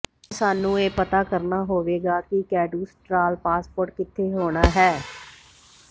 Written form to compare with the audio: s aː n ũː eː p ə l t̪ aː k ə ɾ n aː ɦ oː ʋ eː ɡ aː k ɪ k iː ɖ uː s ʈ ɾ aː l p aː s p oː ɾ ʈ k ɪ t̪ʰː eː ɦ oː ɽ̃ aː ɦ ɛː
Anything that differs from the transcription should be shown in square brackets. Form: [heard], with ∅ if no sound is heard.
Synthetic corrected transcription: s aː n ũː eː p ə [∅] t̪ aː k ə ɾ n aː ɦ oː ʋ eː ɡ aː k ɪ k [ɛː] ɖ uː s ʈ ɾ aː l p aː s p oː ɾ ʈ k ɪ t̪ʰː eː ɦ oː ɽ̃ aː ɦ ɛː